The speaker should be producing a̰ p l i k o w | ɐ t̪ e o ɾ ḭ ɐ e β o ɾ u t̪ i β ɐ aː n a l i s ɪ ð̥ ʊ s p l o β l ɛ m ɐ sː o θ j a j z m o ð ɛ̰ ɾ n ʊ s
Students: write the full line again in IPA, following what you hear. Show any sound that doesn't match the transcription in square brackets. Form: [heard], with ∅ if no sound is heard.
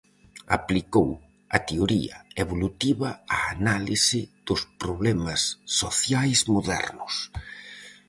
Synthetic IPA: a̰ p l i k o w | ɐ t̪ e o ɾ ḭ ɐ e β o [l] u t̪ i β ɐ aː n a l i s ɪ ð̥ ʊ s p [ɾ] o β l ɛ m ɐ sː o θ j a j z m o ð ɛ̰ ɾ n ʊ s